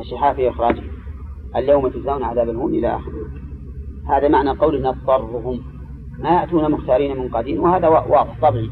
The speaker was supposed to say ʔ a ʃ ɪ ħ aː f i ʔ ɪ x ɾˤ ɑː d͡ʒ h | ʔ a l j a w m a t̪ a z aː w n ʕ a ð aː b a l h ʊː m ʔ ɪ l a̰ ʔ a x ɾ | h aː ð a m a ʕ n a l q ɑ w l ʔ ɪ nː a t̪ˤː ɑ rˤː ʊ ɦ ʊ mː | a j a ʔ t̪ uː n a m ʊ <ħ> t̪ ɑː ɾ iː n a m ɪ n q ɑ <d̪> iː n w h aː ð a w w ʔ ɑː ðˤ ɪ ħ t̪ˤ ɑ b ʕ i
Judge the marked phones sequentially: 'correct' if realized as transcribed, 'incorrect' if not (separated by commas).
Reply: incorrect, correct